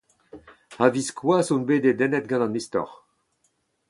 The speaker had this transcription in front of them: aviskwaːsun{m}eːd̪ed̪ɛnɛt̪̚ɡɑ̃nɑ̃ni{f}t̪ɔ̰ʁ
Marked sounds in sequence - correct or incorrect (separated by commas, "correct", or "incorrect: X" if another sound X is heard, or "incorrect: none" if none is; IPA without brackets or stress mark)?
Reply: incorrect: b, incorrect: s